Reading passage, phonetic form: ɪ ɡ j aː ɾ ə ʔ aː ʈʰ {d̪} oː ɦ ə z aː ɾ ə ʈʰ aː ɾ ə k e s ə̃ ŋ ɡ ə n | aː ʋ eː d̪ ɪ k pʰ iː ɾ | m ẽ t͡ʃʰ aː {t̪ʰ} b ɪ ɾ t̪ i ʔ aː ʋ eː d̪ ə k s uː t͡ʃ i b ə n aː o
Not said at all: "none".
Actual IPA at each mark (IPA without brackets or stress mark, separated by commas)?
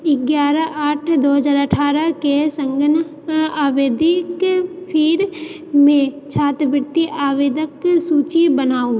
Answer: d̪, t̪